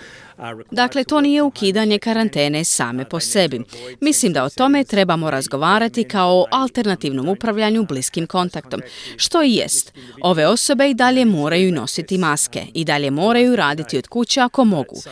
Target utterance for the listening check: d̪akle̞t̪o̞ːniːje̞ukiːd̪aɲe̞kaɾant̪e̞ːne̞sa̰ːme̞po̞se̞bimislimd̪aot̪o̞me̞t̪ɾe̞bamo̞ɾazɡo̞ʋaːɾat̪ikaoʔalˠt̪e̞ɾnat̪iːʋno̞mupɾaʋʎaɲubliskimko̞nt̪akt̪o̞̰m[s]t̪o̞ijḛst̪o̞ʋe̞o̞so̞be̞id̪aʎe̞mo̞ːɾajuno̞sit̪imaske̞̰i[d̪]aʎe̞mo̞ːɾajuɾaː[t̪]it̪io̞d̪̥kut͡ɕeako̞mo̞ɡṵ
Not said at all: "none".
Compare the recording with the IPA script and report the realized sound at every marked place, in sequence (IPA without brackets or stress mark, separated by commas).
ʃ, d̪, d̪